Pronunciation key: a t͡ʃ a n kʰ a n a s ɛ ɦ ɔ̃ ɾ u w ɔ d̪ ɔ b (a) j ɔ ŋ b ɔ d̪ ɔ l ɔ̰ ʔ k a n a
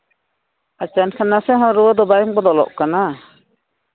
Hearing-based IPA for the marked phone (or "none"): a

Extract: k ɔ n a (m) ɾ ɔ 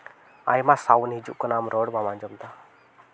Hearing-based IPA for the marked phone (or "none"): m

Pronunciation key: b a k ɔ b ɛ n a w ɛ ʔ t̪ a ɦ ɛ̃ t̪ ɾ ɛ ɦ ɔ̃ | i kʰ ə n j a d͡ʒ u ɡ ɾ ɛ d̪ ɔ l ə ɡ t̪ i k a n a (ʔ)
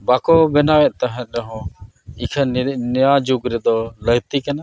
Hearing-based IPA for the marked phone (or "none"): none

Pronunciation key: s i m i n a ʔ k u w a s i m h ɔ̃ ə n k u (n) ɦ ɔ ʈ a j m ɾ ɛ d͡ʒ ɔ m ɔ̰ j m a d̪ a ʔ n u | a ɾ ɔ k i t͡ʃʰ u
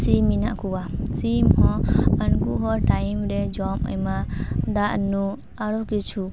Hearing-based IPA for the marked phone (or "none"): none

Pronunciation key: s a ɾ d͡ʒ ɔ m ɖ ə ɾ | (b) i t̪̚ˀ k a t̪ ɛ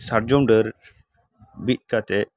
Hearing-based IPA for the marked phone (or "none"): b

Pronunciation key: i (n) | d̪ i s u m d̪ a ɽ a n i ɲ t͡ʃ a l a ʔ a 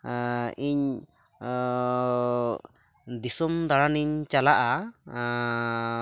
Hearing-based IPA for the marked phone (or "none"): ɲ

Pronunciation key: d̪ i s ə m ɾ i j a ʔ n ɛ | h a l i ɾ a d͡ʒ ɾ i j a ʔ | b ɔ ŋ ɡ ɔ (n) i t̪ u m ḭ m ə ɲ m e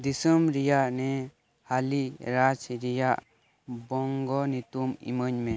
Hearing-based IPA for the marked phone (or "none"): n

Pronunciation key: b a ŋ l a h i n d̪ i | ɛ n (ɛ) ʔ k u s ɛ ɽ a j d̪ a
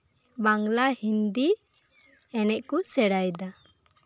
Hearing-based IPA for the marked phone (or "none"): ɛ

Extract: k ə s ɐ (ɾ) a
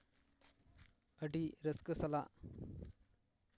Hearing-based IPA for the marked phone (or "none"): l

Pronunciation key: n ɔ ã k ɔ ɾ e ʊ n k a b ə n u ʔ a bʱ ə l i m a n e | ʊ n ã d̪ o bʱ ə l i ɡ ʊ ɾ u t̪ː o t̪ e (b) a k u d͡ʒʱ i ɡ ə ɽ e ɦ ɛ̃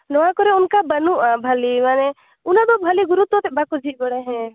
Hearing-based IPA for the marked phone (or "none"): b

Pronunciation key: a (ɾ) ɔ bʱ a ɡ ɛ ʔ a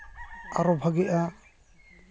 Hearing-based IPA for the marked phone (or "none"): ɾ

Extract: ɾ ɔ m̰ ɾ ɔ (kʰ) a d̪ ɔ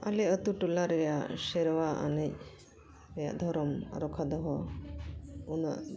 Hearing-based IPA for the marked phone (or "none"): kʰ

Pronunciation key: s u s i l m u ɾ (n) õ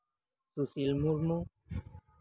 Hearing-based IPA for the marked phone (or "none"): m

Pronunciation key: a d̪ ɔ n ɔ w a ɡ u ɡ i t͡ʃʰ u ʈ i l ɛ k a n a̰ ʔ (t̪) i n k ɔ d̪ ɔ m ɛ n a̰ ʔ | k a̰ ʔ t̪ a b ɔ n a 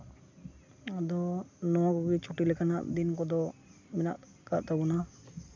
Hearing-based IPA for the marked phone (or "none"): d̪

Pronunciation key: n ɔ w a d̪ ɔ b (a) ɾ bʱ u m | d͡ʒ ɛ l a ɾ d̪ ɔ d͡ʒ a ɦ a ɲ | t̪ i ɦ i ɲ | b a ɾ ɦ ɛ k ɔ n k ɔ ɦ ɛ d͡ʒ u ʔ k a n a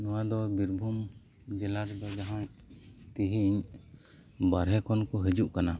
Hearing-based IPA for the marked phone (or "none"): i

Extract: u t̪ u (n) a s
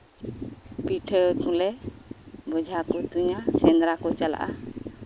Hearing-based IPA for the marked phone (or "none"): ɲ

